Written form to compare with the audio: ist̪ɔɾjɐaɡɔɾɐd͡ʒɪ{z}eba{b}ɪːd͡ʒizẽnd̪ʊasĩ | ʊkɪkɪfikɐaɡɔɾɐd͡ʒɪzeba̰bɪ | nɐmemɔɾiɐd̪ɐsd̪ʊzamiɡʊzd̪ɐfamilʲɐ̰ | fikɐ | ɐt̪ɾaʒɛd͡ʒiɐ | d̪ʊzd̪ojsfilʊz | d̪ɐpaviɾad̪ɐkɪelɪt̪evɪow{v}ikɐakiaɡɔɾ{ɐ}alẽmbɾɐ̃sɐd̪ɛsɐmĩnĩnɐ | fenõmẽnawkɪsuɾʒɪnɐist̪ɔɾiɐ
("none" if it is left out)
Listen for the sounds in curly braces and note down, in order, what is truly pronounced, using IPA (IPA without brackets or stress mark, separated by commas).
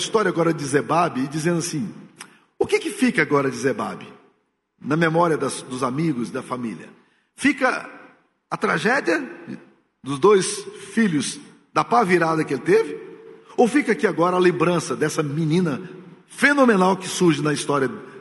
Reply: z, b, f, ɐ